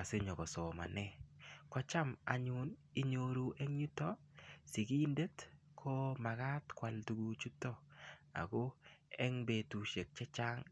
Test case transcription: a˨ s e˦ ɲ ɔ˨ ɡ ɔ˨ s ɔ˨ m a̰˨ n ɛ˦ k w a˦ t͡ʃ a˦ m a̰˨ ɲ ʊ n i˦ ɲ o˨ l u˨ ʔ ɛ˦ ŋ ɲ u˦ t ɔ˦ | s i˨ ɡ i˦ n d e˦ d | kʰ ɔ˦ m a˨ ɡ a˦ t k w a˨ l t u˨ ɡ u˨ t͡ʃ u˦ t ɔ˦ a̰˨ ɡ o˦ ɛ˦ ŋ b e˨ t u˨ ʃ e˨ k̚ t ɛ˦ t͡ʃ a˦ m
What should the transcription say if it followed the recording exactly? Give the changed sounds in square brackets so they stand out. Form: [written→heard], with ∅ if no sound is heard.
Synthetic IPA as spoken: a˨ s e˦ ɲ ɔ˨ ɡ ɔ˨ s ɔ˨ m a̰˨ n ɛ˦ k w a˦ t͡ʃ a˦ m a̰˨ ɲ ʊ n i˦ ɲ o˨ [l→ɾ] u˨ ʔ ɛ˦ ŋ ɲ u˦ t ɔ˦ | s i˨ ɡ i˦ n d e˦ [d→t] | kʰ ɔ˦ m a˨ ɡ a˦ t k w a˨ l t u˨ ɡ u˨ t͡ʃ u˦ t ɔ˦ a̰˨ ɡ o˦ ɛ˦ ŋ b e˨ t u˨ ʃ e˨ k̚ [t→t͡ʃ] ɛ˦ t͡ʃ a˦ [m→ŋ]